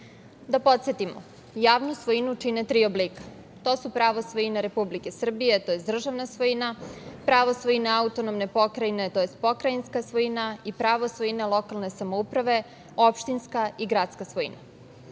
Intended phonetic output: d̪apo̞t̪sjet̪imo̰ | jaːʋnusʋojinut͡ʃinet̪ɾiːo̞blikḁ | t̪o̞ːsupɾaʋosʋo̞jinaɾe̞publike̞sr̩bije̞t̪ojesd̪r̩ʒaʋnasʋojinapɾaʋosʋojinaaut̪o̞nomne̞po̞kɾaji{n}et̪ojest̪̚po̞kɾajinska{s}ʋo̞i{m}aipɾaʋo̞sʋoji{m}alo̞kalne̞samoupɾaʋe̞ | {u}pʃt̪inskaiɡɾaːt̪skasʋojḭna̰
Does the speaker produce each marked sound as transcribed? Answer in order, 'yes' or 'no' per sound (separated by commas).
yes, yes, no, no, no